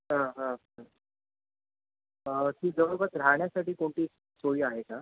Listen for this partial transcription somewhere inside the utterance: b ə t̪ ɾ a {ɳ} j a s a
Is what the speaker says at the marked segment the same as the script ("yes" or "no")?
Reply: yes